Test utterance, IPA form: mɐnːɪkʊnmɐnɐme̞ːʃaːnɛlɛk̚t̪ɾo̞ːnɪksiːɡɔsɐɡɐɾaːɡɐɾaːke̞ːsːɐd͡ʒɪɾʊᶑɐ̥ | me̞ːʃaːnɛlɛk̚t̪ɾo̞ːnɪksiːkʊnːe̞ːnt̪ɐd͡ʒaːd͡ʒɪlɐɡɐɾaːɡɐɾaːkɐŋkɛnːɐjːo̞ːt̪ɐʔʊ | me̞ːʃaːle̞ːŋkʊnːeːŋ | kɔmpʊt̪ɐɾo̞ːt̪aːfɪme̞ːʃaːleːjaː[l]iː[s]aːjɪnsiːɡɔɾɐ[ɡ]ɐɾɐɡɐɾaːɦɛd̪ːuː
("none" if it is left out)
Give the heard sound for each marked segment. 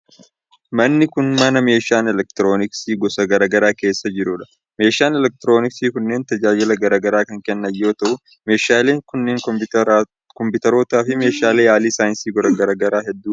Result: l, s, ɡ

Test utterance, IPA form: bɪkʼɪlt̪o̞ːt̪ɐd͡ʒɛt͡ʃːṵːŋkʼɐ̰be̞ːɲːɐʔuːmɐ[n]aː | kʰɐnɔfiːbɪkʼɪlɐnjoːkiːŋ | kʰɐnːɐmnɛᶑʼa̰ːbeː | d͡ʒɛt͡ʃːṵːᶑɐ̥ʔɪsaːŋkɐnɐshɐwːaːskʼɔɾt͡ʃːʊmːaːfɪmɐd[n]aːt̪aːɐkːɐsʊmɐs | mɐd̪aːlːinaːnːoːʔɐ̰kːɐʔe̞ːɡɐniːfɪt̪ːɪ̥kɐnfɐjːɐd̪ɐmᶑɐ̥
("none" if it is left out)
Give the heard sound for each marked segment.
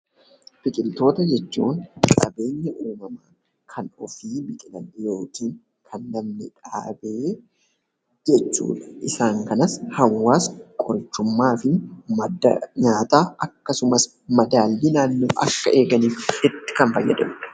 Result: m, ɲ

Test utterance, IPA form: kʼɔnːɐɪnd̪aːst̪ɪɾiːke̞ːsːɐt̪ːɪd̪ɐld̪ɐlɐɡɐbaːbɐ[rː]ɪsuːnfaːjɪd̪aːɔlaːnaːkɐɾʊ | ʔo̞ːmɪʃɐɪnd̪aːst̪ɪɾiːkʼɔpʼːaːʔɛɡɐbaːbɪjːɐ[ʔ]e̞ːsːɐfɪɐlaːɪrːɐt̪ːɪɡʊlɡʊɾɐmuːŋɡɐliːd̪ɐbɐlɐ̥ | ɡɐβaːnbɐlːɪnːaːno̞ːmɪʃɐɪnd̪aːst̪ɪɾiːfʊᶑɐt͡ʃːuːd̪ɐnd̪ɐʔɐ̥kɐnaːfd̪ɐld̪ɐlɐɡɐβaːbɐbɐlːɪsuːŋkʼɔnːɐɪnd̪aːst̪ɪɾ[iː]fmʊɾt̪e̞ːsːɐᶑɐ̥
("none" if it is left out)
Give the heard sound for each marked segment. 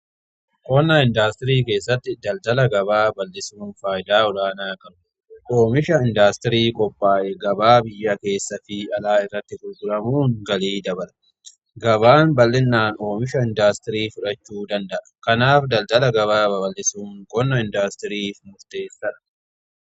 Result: lː, k, iː

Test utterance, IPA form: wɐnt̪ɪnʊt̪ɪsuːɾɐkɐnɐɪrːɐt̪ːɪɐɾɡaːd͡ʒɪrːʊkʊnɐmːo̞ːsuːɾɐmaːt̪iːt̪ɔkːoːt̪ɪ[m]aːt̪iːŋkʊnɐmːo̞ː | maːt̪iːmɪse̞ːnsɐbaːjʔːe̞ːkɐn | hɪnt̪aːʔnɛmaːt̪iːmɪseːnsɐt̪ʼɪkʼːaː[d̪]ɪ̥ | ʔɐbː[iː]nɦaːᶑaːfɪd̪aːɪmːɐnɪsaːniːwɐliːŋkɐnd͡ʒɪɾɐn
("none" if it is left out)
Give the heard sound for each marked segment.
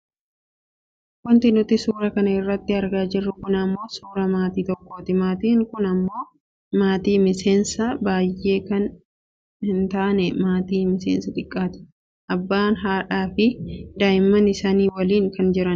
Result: m, t̪, aː

